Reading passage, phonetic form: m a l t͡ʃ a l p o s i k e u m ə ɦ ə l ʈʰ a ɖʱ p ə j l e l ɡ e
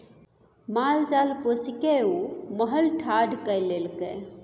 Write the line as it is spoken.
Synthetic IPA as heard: m a l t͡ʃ a l p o s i k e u m ə ɦ ə l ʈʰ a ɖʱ k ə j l e l k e